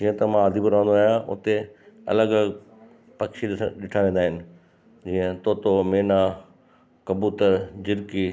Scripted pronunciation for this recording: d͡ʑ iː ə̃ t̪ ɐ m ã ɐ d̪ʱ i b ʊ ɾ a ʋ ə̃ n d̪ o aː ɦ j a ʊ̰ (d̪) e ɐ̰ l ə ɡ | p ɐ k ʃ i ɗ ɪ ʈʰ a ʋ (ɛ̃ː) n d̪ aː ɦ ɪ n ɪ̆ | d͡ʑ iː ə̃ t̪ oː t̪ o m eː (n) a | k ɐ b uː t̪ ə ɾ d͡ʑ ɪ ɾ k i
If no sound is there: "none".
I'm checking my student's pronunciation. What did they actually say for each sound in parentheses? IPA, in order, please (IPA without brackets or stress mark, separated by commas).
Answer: t̪, ẽː, n